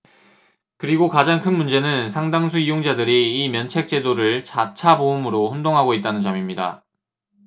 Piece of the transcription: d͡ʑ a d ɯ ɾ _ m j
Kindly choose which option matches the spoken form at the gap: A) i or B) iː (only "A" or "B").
B